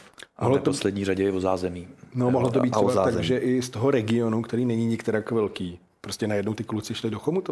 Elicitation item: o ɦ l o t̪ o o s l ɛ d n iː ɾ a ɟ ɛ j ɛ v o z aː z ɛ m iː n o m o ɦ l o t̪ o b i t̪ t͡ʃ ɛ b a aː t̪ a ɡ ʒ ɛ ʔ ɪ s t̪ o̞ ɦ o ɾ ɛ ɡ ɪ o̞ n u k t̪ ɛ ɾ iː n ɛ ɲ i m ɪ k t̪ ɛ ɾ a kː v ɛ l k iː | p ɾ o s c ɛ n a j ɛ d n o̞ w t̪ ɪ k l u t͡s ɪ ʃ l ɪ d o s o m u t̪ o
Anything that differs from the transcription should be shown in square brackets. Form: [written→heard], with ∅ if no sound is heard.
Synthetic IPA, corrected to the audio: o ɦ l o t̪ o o s l ɛ d [n→ɲ] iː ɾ a ɟ ɛ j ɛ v o z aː z ɛ m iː n o m o ɦ l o t̪ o b i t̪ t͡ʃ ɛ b a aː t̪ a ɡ ʒ ɛ ʔ ɪ s t̪ o̞ ɦ o ɾ ɛ ɡ ɪ o̞ n u k t̪ ɛ ɾ iː n ɛ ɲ i [m→ɲ] ɪ k t̪ ɛ ɾ a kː v ɛ l k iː | p ɾ o s c ɛ n a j ɛ d n o̞ w t̪ ɪ k l u t͡s ɪ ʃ l ɪ d o [s→x] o m u t̪ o